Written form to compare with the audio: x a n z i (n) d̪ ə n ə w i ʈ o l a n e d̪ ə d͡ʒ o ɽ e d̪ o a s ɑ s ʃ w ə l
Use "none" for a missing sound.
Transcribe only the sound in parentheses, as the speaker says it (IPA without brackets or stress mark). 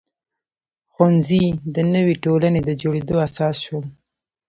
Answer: none